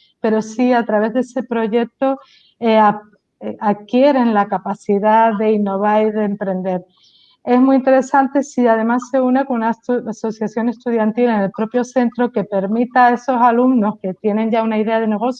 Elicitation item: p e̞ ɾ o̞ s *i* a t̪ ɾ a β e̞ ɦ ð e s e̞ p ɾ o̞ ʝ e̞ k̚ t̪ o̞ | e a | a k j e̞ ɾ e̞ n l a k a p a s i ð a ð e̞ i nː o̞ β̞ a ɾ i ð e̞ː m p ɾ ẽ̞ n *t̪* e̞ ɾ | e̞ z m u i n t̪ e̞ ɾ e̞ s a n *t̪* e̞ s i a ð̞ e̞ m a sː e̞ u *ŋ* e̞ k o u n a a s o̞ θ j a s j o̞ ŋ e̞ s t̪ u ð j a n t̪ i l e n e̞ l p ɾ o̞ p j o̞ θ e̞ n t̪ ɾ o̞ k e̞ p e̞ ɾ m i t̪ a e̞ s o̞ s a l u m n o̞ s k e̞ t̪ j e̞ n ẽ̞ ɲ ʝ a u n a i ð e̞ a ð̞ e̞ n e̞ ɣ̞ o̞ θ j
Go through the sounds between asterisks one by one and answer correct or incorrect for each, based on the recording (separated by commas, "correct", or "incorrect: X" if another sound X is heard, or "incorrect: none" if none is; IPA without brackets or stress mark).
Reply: correct, incorrect: d̪, correct, incorrect: n